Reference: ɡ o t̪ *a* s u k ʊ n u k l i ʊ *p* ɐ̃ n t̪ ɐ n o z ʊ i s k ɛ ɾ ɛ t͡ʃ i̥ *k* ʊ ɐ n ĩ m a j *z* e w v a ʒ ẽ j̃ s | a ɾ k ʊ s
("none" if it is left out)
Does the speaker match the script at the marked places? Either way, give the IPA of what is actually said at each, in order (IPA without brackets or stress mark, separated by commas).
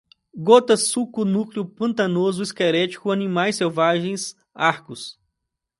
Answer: ɐ, p, k, s